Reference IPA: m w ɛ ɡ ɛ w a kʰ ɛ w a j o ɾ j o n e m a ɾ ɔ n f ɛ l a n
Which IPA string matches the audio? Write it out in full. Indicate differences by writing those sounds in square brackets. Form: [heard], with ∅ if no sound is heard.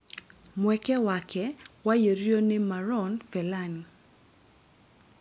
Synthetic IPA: m w ɛ [k] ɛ w a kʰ ɛ w a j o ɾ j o n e m a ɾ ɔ n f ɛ l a n